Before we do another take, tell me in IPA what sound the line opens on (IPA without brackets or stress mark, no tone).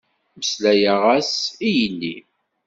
m